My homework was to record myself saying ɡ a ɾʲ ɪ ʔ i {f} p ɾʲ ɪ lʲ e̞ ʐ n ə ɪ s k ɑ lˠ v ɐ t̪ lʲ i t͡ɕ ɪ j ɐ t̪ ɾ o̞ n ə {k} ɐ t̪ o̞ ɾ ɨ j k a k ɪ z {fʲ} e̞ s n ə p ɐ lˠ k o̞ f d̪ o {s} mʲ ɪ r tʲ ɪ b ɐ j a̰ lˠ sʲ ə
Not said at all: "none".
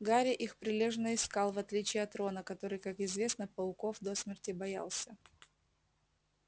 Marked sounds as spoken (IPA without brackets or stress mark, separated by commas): x, k, vʲ, s